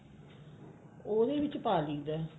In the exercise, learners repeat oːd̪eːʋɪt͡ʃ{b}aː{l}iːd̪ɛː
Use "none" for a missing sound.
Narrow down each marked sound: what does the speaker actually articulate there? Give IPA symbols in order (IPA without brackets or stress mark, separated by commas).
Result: p, l